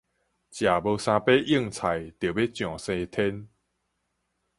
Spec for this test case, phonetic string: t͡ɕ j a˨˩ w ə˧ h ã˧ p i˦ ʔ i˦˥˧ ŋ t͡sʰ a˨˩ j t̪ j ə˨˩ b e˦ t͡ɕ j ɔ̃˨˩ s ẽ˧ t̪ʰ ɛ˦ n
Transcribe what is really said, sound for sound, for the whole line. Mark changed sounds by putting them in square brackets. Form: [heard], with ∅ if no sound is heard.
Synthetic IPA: t͡ɕ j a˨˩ [b] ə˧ [s] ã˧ p [e˦] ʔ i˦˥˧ ŋ t͡sʰ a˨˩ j t̪ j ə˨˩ b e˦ t͡ɕ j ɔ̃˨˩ s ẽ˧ t̪ʰ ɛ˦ n

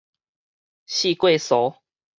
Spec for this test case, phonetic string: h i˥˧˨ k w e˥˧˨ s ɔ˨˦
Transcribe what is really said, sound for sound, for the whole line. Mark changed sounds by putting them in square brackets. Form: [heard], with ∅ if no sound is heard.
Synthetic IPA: [ɕ] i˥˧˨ k w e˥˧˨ s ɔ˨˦

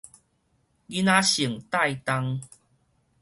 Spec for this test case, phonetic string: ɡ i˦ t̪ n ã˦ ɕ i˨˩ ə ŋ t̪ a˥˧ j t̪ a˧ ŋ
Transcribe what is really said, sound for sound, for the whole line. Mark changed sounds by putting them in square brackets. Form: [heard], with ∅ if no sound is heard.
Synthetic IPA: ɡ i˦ [∅] n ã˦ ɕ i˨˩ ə ŋ t̪ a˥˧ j t̪ a˧ ŋ

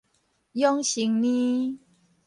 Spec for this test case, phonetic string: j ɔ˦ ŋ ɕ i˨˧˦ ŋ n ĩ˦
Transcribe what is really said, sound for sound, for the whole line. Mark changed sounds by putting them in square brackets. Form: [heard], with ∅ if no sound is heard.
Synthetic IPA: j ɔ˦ ŋ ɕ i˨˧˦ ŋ n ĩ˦

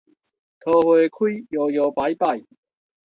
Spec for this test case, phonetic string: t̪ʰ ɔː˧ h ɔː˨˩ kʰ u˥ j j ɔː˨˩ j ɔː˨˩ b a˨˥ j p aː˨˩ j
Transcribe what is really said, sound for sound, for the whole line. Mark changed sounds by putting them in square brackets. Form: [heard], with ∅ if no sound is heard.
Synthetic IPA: t̪ʰ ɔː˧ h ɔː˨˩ kʰ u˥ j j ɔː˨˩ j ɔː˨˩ [p] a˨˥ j p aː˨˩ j

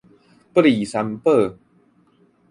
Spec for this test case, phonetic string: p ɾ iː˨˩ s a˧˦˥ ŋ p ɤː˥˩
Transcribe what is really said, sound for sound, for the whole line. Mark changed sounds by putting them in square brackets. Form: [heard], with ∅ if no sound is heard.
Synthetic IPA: p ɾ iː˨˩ s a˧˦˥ [m] p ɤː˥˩

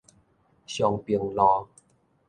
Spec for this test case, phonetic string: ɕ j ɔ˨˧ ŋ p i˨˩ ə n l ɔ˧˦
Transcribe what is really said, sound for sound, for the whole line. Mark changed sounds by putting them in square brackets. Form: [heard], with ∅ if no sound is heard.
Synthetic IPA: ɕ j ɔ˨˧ ŋ p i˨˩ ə [ŋ] l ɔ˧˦

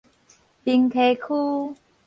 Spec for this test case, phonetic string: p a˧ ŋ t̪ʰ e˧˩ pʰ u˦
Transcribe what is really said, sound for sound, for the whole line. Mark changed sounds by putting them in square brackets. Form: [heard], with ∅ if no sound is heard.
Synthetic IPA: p [i˧] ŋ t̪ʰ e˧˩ [kʰ] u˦

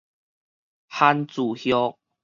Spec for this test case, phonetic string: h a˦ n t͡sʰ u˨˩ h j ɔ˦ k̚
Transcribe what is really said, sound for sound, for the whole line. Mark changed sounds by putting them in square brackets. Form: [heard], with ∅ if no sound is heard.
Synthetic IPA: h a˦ n [t͡s] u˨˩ h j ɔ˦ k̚

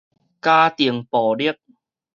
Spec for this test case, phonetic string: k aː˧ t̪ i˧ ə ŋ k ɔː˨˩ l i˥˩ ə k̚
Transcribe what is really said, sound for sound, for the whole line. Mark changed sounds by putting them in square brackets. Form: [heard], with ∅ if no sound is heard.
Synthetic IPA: k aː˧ t̪ [i˨˩] ə ŋ [p] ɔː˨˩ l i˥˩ ə k̚

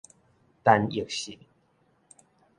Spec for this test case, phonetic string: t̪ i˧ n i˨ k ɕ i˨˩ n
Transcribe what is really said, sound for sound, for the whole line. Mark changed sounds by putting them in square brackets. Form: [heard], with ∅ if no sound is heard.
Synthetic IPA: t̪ [a˧] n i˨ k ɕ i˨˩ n

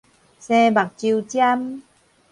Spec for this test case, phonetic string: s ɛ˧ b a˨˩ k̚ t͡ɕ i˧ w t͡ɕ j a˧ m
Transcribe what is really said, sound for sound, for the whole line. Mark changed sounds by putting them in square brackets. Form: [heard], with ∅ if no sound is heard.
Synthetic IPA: s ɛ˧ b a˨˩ k̚ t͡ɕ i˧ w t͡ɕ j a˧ m

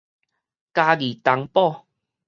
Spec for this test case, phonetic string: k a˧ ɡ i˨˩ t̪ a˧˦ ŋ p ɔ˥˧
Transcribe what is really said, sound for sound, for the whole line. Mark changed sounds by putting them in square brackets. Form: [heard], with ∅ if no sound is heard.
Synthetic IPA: k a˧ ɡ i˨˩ t̪ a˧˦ ŋ p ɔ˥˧

